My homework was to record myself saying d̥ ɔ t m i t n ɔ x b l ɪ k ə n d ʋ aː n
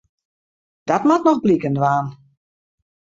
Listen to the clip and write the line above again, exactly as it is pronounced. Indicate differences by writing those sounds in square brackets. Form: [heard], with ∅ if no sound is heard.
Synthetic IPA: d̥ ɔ t m [a] t n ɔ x b l [i] k ə n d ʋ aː n